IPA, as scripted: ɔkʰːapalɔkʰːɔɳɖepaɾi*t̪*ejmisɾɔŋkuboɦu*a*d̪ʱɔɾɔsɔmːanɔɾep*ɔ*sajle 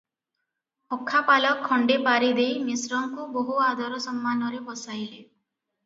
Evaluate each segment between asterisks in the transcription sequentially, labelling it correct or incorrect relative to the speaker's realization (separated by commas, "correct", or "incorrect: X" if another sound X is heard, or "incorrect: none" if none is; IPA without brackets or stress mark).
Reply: incorrect: d̪, correct, correct